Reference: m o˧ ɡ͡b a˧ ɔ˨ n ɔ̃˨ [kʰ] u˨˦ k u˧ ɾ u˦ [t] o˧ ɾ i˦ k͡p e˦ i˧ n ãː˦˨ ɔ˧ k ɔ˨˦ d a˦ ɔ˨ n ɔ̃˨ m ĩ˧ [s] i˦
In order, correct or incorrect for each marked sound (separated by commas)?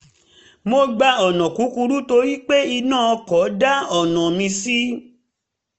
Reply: incorrect, correct, correct